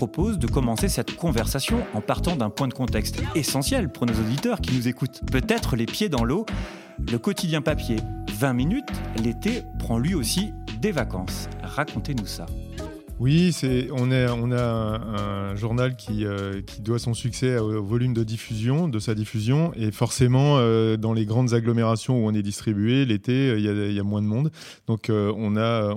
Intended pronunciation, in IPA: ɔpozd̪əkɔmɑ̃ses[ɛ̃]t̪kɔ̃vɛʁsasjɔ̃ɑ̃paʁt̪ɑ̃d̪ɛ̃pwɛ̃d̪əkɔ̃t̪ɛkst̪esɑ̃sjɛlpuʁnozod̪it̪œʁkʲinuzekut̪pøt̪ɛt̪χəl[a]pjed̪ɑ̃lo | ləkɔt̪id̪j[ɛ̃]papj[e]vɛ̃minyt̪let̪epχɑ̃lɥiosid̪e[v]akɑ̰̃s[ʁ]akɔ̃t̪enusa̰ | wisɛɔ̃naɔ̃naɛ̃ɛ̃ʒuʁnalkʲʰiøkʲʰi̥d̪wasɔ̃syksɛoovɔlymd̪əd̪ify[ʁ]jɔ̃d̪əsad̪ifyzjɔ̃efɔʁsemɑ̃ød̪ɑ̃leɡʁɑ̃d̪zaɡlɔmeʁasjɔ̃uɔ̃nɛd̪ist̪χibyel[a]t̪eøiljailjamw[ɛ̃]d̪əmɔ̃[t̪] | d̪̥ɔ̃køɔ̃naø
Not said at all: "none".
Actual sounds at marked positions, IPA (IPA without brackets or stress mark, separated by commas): ɛ, e, ɛ̃, e, v, ʁ, z, e, ɛ̃, d̪